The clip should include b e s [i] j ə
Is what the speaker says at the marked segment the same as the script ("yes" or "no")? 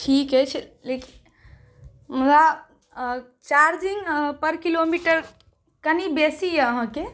yes